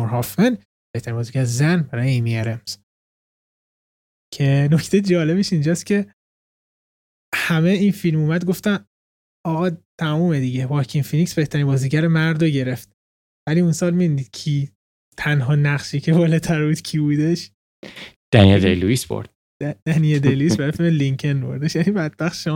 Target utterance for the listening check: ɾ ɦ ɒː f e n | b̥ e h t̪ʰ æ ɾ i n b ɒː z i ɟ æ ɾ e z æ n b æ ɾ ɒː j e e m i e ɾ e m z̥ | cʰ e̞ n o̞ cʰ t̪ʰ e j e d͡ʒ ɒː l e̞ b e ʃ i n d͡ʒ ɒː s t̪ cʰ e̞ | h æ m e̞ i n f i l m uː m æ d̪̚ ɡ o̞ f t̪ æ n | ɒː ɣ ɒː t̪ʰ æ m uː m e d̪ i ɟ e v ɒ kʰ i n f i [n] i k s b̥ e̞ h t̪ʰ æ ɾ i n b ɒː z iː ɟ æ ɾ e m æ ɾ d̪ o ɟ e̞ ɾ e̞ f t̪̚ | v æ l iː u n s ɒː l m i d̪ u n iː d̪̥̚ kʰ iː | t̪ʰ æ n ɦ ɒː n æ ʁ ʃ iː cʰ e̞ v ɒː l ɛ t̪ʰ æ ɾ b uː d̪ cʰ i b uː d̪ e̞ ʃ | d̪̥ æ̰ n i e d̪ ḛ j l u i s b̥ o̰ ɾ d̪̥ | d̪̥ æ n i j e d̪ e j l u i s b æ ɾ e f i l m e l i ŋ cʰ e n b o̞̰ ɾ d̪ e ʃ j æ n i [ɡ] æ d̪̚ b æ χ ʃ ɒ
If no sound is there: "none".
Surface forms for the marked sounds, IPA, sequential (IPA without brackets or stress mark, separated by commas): n, b